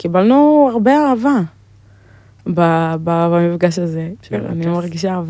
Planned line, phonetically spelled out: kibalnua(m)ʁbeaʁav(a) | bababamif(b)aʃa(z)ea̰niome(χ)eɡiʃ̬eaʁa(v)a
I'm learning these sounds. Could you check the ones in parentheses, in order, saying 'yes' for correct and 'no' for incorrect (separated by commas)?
no, yes, no, yes, no, yes